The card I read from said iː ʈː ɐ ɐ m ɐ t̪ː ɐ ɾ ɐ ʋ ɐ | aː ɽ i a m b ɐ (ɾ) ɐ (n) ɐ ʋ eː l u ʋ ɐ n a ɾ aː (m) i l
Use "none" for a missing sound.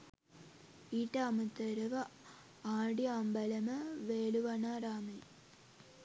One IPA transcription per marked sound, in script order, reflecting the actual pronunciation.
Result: l, m, m

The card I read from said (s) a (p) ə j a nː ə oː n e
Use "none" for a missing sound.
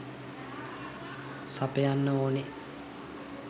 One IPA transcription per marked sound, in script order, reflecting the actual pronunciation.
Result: s, p

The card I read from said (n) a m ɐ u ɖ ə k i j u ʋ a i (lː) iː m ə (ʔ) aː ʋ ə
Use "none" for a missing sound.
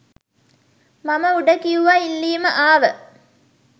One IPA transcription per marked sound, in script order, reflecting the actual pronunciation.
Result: m, lː, ʔ

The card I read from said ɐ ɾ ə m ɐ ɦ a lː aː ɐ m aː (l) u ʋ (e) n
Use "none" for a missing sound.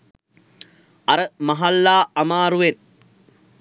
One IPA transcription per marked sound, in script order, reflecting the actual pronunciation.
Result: ɾ, e

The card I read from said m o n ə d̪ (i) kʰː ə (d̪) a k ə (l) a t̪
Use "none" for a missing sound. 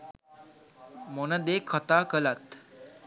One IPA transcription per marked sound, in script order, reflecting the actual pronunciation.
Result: e, t̪, l

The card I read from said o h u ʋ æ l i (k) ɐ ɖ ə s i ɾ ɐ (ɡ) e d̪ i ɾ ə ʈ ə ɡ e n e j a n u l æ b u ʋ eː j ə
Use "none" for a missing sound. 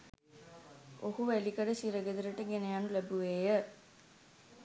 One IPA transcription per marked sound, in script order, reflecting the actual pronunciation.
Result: k, ɡ

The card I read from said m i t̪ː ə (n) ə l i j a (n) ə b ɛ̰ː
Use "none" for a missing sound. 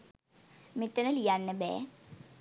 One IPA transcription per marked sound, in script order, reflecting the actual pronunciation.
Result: n, nː

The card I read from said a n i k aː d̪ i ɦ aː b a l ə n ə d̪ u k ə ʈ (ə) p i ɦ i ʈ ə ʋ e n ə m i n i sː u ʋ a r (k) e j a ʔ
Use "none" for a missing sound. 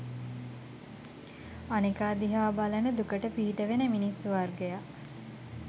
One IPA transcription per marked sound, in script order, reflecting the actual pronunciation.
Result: ə, ɡ

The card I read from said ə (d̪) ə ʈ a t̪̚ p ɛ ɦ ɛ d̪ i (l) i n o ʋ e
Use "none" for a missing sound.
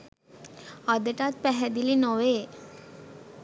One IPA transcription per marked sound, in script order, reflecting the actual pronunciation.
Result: d̪, l

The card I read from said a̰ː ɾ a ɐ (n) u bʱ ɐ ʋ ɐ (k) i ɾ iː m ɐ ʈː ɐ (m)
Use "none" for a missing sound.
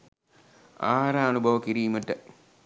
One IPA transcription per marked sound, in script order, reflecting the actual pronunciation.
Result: n, k, none

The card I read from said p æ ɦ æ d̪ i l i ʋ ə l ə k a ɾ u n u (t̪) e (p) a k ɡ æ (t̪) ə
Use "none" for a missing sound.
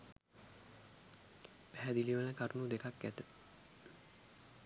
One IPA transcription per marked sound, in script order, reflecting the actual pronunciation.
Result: d̪, k, t̪

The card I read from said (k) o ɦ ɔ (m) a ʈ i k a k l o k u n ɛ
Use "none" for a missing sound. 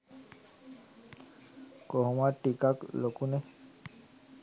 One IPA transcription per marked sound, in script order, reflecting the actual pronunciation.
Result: k, m

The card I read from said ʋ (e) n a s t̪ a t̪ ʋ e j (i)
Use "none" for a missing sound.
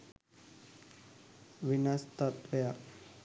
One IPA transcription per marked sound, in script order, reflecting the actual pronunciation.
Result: i, a

